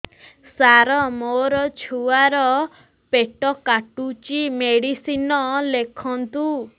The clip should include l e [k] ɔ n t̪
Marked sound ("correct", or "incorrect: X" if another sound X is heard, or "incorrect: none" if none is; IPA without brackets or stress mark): incorrect: kʰ